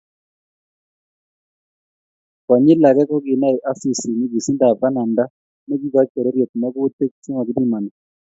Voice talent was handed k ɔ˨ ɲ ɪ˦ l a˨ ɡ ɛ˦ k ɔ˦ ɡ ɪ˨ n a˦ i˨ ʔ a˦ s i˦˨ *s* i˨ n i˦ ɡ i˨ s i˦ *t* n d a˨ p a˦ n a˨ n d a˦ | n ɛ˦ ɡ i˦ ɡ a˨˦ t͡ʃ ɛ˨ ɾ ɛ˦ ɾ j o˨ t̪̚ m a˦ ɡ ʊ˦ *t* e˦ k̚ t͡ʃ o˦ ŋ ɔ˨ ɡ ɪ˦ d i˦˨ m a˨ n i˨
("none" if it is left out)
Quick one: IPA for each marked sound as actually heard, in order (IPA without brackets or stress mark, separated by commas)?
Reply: s, none, t